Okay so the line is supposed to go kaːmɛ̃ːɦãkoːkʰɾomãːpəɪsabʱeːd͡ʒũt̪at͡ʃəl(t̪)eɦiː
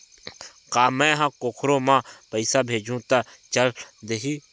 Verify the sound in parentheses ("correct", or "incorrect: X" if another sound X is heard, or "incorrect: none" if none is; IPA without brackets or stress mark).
incorrect: d̪